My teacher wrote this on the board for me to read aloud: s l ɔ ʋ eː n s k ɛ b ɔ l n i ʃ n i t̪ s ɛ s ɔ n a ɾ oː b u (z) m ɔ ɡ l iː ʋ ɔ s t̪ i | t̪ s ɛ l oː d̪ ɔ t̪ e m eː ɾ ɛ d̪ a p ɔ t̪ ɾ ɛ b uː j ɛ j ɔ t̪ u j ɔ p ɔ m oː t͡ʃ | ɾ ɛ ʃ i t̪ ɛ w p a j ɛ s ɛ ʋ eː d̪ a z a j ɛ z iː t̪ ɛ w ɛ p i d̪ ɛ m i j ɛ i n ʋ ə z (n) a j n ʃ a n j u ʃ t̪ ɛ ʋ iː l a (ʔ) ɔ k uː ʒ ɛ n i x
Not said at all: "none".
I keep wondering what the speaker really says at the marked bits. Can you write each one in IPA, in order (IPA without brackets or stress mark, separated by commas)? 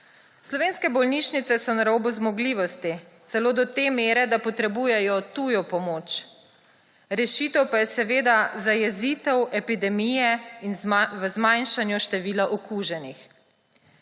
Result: z, m, ʔ